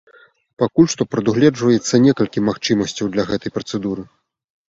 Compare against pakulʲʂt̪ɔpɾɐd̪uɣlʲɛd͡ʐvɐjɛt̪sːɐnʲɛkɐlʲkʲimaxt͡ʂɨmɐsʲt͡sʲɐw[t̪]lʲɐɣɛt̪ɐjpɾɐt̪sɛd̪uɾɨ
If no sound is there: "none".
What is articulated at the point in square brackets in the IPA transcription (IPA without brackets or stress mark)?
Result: d̪